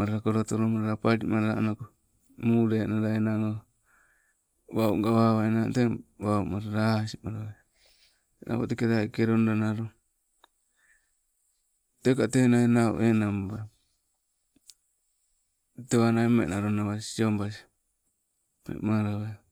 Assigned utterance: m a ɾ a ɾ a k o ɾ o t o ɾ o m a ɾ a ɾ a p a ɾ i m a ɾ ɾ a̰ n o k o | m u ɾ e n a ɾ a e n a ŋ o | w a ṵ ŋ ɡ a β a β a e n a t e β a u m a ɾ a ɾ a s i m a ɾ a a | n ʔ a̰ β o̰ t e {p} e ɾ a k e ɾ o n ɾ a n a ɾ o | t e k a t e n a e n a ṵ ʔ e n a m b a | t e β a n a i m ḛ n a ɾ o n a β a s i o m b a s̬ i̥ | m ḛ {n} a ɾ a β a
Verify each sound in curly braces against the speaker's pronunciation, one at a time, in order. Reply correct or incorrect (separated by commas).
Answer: incorrect, incorrect